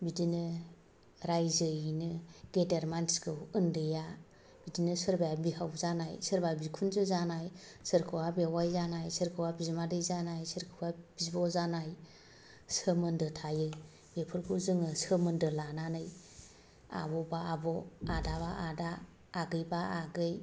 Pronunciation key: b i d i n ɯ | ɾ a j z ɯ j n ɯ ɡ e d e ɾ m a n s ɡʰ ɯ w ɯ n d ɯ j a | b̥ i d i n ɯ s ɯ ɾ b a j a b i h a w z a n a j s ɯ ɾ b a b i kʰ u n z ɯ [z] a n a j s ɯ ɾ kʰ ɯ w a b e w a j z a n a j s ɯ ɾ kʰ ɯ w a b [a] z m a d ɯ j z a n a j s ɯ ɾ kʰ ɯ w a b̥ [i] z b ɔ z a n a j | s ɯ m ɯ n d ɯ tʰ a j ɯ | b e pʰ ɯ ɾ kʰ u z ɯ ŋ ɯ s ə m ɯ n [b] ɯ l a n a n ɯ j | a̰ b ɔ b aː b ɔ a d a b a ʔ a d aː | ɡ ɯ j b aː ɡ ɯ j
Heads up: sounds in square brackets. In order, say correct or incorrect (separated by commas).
correct, incorrect, correct, incorrect